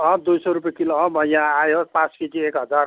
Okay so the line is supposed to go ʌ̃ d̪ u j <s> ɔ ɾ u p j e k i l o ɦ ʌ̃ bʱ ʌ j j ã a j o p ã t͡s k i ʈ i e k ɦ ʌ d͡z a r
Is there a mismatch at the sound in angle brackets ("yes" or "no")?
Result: no